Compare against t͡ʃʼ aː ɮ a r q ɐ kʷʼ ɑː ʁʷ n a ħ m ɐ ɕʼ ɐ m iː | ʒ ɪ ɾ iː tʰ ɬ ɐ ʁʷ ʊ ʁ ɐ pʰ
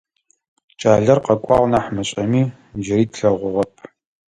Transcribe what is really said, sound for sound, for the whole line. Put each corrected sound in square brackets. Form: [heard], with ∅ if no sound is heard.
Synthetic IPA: t͡ʃʼ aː ɮ [ɐ] r q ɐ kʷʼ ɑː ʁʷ n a ħ m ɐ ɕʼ ɐ m iː | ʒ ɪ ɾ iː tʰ ɬ ɐ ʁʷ ʊ ʁ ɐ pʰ